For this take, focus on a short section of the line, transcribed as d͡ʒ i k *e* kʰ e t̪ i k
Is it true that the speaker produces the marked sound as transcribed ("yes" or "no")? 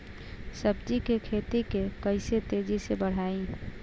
yes